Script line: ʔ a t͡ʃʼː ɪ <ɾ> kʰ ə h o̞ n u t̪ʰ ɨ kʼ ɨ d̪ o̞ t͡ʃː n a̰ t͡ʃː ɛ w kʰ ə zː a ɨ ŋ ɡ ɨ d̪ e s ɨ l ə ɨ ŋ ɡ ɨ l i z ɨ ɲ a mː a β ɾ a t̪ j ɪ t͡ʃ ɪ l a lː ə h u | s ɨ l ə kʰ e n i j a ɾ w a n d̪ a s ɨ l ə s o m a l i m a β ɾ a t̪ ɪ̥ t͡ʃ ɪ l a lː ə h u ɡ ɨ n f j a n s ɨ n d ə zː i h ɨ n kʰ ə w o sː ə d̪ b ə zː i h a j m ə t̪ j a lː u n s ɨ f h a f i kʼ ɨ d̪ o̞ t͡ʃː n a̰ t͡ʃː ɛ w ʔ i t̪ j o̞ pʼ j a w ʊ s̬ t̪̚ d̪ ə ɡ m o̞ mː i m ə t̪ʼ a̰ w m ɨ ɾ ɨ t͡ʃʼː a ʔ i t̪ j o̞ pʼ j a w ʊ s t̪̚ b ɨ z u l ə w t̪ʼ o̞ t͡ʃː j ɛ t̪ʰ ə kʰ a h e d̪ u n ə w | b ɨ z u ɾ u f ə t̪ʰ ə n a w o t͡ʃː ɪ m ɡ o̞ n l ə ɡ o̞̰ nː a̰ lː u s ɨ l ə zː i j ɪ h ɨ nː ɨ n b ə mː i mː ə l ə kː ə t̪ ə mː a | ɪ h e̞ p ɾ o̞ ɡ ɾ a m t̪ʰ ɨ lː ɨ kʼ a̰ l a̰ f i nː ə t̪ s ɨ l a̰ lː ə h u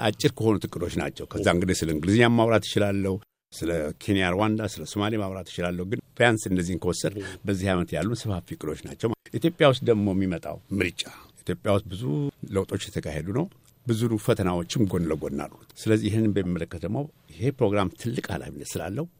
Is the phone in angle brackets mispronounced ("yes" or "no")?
no